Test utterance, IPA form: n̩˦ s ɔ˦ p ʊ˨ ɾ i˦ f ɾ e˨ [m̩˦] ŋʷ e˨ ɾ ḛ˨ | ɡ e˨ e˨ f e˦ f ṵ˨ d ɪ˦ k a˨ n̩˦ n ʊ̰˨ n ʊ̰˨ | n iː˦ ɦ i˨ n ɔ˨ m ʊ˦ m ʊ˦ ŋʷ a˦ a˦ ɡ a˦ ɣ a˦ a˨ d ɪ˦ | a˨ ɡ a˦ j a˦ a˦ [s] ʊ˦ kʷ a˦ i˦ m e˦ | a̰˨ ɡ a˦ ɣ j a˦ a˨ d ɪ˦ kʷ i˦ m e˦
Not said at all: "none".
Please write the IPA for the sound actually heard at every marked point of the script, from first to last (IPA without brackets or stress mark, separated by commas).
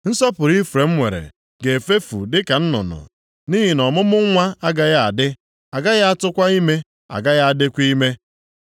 m̩˦, t